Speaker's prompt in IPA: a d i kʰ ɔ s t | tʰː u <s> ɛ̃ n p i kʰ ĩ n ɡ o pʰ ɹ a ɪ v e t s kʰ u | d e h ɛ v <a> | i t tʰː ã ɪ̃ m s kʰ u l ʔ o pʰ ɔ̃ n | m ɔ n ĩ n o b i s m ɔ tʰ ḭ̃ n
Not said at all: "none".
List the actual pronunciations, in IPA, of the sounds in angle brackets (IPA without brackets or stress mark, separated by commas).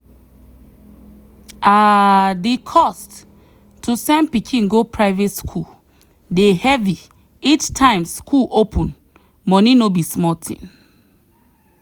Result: s, i